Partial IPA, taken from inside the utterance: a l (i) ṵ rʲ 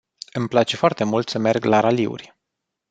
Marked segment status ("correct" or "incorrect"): correct